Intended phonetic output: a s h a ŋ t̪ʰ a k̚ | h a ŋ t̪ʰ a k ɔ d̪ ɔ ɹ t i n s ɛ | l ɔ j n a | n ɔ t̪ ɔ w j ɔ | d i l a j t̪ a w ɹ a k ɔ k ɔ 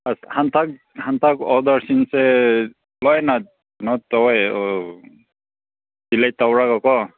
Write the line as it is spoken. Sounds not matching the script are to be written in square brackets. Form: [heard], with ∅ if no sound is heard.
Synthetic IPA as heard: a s h a [n] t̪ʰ a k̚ | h a [n] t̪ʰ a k ɔ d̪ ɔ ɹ [s] i n s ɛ | l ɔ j n a | n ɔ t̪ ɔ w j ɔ | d i l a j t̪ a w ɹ a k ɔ k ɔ